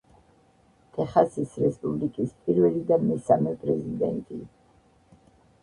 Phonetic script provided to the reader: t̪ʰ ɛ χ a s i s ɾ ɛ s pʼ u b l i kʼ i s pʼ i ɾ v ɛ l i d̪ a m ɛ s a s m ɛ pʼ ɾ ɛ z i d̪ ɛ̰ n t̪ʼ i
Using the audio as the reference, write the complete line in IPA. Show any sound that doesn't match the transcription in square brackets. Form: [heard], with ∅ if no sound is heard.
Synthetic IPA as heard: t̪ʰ ɛ χ a s i s ɾ ɛ s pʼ u b l i kʼ i s pʼ i ɾ v ɛ l i d̪ a m ɛ s a [∅] m ɛ pʼ ɾ ɛ z i d̪ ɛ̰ n t̪ʼ i